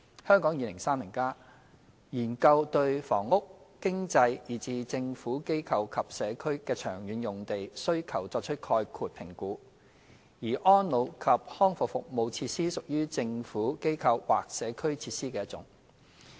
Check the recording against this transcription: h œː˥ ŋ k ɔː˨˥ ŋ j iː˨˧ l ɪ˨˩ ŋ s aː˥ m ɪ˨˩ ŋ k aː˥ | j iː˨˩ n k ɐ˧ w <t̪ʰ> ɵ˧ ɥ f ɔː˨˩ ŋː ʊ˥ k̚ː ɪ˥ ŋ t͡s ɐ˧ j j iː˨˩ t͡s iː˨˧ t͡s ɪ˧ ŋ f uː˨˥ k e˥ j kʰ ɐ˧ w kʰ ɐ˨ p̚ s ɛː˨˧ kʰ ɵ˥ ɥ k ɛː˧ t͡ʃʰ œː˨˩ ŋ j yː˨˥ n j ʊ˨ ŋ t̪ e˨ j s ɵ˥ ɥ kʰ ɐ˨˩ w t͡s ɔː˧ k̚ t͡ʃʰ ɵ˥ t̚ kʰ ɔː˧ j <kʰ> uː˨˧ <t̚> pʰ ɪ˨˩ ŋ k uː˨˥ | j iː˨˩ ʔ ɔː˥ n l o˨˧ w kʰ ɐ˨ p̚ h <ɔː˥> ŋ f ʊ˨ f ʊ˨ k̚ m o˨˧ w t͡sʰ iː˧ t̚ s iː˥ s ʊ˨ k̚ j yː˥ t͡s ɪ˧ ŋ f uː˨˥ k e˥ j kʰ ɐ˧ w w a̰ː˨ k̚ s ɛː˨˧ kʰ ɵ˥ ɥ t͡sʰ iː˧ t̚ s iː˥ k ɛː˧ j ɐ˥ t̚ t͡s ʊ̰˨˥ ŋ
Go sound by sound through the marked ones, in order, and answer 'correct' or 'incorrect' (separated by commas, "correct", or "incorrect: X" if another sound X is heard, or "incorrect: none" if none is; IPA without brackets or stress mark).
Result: incorrect: t̪, correct, correct, correct